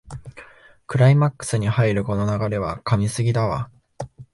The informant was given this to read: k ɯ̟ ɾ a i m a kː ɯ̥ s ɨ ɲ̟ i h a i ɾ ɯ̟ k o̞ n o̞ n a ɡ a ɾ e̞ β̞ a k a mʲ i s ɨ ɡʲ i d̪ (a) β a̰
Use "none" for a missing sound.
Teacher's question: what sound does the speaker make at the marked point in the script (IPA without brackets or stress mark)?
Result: a